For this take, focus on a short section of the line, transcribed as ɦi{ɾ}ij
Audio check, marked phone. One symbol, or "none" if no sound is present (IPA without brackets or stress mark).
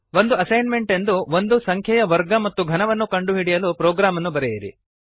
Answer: ɽ